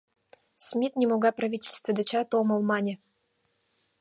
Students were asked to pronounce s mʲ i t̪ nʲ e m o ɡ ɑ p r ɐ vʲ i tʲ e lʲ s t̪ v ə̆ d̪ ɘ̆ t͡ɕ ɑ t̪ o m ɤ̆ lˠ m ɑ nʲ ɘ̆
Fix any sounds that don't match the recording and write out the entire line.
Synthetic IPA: s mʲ i t̪ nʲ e m o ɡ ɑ p r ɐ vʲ i tʲ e lʲ s t̪ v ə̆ d̪ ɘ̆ t͡ɕ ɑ t̪ o m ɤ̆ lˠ m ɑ nʲ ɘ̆